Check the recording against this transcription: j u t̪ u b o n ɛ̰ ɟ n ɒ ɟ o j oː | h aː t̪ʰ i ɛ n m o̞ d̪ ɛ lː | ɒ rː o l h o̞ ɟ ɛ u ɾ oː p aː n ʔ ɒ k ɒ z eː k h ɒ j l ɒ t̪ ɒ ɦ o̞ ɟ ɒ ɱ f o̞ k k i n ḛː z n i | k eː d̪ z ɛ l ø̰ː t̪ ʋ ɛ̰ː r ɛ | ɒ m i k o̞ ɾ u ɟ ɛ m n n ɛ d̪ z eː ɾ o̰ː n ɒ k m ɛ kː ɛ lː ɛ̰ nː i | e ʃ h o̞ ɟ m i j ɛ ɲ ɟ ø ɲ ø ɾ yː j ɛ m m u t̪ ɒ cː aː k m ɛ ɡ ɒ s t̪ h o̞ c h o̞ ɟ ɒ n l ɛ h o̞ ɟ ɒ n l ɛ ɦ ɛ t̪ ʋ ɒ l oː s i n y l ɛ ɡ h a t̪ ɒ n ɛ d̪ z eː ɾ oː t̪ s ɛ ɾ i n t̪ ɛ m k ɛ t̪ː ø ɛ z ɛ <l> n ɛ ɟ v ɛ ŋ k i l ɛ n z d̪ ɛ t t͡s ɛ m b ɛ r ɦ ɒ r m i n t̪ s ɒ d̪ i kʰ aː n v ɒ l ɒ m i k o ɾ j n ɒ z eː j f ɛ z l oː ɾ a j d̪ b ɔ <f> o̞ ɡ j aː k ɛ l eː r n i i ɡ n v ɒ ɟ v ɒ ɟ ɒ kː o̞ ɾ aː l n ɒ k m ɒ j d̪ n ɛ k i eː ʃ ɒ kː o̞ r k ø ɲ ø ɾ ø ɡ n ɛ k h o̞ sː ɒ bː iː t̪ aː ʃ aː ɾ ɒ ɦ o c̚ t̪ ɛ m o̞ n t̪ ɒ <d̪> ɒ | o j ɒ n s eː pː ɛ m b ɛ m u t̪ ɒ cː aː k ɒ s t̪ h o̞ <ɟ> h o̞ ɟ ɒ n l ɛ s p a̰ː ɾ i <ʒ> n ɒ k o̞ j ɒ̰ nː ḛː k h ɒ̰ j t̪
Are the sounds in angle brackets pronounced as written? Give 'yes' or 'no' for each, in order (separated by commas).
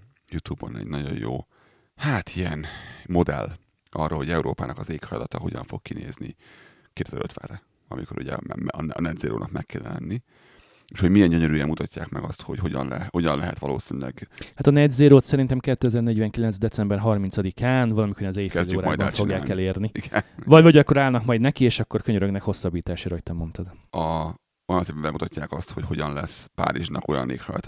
no, yes, yes, no, yes